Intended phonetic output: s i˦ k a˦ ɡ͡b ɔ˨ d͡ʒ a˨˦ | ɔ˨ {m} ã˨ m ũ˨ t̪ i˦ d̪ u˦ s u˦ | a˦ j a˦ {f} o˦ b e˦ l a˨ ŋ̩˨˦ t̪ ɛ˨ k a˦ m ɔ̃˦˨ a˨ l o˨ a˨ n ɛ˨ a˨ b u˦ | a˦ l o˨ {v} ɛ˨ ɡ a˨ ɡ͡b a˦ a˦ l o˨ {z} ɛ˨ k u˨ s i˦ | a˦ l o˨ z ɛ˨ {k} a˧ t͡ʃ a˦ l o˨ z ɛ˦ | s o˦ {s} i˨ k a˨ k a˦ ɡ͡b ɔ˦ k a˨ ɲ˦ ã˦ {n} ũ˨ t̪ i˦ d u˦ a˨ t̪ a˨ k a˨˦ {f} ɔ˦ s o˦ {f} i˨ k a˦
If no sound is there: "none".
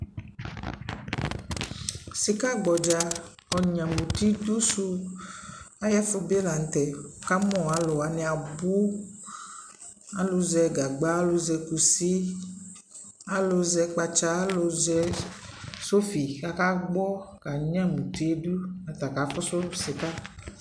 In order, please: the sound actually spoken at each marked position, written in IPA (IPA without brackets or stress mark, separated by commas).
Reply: ɲ, f, z, z, k͡p, f, m, f, s